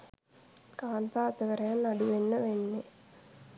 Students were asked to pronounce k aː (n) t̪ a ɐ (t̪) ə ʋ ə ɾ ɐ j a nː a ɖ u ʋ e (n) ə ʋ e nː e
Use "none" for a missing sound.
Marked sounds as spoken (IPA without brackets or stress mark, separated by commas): n, t̪, nː